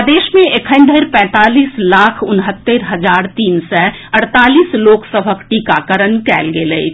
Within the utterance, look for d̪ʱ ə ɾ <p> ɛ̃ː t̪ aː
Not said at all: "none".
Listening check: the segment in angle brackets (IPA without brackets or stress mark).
p